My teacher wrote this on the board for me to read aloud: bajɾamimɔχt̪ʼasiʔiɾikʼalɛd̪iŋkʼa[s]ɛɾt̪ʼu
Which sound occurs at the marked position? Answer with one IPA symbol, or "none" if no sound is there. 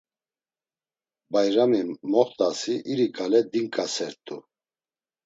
s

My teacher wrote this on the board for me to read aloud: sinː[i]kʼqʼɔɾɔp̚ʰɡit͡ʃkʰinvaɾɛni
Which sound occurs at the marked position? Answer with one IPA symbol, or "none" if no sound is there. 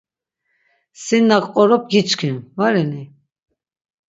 a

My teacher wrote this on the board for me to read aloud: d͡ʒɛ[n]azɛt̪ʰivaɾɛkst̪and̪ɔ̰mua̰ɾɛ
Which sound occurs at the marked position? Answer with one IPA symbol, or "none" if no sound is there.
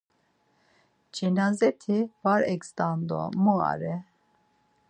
n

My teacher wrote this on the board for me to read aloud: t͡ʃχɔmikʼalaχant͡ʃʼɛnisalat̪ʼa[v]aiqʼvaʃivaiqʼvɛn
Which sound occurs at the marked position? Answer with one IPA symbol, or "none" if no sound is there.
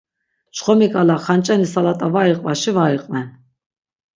v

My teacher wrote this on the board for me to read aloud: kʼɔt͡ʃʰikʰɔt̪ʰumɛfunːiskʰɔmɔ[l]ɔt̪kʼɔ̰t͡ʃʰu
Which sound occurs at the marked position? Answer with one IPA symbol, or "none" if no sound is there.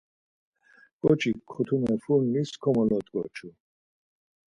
l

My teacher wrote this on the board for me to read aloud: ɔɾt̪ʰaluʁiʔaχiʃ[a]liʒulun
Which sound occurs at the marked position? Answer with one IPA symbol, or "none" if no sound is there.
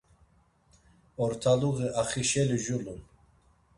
ɛ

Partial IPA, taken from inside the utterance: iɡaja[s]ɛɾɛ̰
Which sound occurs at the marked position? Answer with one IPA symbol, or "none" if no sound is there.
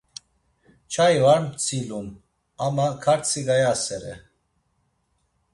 s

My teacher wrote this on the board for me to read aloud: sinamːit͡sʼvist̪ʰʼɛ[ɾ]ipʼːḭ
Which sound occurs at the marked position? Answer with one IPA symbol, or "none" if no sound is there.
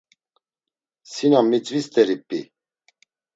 ɾ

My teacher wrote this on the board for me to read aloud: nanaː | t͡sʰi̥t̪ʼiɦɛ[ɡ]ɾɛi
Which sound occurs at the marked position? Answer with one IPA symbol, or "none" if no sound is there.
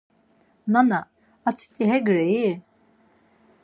ɡ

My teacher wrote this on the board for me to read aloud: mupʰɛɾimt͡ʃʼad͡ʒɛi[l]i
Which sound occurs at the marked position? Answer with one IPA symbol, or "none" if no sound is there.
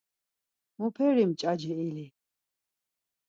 l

